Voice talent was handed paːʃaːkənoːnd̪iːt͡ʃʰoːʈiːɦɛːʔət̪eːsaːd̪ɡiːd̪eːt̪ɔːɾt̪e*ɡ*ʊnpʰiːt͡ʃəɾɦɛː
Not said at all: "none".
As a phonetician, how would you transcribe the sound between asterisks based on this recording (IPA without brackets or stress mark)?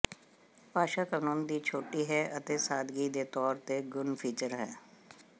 ɡ